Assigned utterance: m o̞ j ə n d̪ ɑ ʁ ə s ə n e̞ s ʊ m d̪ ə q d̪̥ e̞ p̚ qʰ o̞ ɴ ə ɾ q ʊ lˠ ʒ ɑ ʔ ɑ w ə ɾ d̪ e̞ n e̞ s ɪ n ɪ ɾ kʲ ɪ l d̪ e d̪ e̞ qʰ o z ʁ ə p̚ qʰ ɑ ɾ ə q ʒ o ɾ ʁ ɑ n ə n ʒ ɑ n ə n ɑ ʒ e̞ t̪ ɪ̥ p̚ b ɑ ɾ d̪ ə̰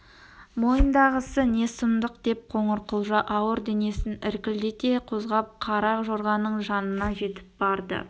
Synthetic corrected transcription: m o̞ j ə n d̪ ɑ ʁ ə s ə n e̞ s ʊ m d̪ ə q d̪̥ e̞ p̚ qʰ o̞ ɴ ə ɾ q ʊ lˠ ʒ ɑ ʔ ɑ w ə ɾ d̪ e̞ n e̞ s ɪ n ɪ ɾ kʲ ɪ l d̪ e t̪ e̞ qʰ o z ʁ ɑ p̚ qʰ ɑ ɾ ɑ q ʒ o ɾ ʁ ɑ n ə ɴ ʒ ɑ n ə n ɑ ʒ e̞ t̪ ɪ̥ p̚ b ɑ ɾ d̪ ə̰